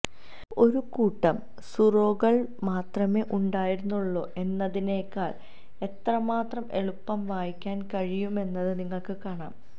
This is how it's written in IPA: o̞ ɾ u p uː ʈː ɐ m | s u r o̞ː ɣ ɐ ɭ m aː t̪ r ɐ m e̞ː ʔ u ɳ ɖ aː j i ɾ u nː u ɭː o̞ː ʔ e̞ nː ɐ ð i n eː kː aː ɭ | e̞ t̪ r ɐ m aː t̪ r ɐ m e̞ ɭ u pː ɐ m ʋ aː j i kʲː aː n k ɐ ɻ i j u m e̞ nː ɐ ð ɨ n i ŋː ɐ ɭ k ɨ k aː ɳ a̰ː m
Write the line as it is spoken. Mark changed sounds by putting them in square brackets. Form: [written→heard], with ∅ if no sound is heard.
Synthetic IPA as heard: o̞ ɾ u [p→k] uː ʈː ɐ m | s u r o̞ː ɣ ɐ ɭ m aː t̪ r ɐ m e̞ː ʔ u ɳ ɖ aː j i ɾ u nː u ɭː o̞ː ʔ e̞ nː ɐ ð i n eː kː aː ɭ | e̞ t̪ r ɐ m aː t̪ r ɐ m e̞ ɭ u pː ɐ m ʋ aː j i kʲː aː n k ɐ ɻ i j u m e̞ nː ɐ ð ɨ n i ŋː ɐ ɭ k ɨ k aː ɳ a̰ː m